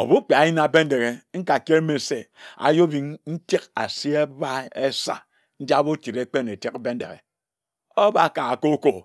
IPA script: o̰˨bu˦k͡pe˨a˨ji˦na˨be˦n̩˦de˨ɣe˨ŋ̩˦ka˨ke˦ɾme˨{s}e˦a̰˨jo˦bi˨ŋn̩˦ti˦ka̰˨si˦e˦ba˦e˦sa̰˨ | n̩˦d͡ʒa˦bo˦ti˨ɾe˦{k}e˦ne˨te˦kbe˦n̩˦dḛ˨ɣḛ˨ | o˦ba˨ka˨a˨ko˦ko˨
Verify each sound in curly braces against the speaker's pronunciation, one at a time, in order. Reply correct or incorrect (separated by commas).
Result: correct, incorrect